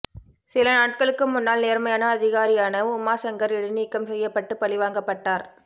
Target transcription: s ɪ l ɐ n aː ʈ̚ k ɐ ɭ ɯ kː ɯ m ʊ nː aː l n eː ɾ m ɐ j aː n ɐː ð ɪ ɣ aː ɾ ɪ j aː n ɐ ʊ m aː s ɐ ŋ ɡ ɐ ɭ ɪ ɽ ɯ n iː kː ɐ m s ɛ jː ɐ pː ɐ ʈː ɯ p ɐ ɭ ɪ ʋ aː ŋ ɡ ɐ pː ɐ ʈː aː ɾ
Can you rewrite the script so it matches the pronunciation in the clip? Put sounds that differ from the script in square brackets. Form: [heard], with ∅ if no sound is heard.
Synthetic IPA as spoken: s ɪ l ɐ n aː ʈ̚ k ɐ ɭ ɯ kː ɯ m ʊ nː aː l n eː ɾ m ɐ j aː n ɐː ð ɪ ɣ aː ɾ ɪ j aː n ɐ ʊ m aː s ɐ ŋ ɡ ɐ [ɾ] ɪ ɽ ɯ n iː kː ɐ m s ɛ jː ɐ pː ɐ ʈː ɯ p ɐ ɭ ɪ ʋ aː ŋ ɡ ɐ pː ɐ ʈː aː ɾ